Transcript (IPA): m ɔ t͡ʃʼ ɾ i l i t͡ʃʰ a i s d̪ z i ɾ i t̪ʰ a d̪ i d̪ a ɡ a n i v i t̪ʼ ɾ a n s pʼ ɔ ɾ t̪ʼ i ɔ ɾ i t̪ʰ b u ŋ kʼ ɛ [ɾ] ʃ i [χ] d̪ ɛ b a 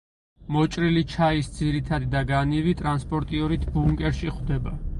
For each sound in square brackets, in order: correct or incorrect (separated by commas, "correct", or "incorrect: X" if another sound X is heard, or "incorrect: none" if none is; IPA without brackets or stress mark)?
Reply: correct, correct